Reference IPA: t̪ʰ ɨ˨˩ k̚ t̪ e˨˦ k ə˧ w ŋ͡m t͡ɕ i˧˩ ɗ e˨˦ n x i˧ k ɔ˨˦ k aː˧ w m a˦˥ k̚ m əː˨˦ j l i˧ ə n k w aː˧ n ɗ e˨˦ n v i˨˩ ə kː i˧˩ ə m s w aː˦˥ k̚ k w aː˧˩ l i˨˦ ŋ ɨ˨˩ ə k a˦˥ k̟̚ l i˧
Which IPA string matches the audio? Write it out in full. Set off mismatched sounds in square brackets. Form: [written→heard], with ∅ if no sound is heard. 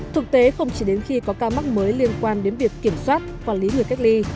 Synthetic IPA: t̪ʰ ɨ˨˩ k̚ t̪ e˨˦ [k→x] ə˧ w ŋ͡m t͡ɕ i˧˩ ɗ e˨˦ n x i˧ k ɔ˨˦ k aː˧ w m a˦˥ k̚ m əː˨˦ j l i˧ ə n k w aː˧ n ɗ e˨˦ n v i˨˩ ə kː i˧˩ ə m s w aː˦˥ [k̚→t̚] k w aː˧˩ l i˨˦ ŋ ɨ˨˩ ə k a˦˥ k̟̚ l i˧